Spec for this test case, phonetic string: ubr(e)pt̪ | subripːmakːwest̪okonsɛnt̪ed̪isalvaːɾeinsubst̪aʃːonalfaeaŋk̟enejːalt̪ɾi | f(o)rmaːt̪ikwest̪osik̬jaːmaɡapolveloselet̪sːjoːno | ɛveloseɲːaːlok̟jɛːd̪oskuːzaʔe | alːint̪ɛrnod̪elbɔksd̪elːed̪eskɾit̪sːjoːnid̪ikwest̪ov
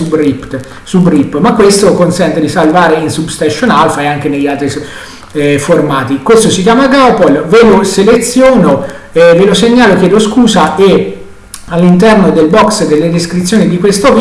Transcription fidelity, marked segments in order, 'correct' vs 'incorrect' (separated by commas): incorrect, correct